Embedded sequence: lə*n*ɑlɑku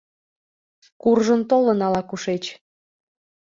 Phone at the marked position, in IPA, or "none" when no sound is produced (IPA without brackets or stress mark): n